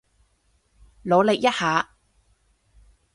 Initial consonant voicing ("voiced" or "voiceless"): voiced